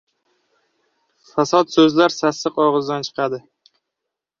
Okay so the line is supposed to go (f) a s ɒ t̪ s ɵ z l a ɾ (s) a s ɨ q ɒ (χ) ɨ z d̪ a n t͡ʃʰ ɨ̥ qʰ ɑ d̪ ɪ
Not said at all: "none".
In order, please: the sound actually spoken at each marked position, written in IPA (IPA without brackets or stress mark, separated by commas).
f, s, ʁ